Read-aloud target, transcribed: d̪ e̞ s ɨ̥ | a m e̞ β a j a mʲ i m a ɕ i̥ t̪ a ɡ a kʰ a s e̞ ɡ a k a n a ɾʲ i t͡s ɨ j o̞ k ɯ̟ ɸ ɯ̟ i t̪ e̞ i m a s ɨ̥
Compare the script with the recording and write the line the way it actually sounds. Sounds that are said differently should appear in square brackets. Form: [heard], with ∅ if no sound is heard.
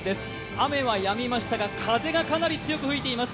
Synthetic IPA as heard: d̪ e̞ s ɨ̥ | a m e̞ β a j a mʲ i m a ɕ i̥ t̪ a ɡ a kʰ a [z] e̞ ɡ a k a n a ɾʲ i t͡s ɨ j o̞ k ɯ̟ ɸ ɯ̟ i t̪ e̞ i m a s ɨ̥